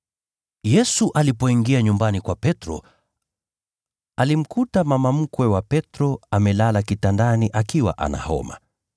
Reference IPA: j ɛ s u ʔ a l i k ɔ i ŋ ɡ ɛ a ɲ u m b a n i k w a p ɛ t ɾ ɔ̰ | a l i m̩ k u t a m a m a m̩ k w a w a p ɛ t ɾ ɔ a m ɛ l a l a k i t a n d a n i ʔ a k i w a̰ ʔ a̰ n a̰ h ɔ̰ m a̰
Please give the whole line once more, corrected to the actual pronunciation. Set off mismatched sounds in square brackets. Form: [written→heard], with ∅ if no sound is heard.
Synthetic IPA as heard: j ɛ s u ʔ a l i [k→p] ɔ i ŋ ɡ [ɛ→i] a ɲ u m b a n i k w a p ɛ t ɾ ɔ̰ | a l i m̩ k u t a m a m a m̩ k w [a→ɛ] w a p ɛ t ɾ ɔ a m ɛ l a l a k i t a n d a n i ʔ a k i w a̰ ʔ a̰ n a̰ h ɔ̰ m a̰